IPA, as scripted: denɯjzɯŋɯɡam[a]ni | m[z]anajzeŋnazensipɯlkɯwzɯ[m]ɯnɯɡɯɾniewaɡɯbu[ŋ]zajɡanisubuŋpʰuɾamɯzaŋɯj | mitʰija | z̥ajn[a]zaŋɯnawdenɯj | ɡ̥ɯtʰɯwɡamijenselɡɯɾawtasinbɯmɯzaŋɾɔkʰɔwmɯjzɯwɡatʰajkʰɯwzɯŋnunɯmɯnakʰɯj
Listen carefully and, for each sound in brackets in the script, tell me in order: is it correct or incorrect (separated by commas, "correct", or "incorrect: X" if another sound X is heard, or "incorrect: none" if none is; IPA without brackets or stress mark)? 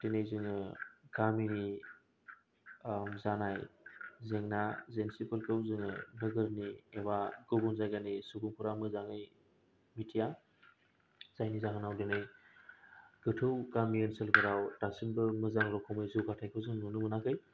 incorrect: i, correct, incorrect: ŋ, incorrect: n, incorrect: i